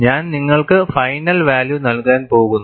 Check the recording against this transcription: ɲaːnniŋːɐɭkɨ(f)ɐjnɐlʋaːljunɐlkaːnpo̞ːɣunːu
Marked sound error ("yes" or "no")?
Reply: no